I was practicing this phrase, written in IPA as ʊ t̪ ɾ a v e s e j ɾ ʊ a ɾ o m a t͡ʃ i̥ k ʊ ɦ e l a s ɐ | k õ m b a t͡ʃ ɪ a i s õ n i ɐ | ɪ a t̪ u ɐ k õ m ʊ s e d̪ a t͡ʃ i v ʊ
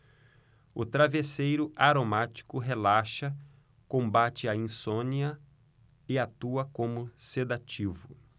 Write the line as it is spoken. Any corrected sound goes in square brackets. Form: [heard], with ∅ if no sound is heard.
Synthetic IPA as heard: ʊ t̪ ɾ a v e s e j ɾ ʊ a ɾ o m a t͡ʃ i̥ k ʊ ɦ e l a [ʃ] ɐ | k õ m b a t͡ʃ ɪ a [ĩ] s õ n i ɐ | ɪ a t̪ u ɐ k õ m ʊ s e d̪ a t͡ʃ i v ʊ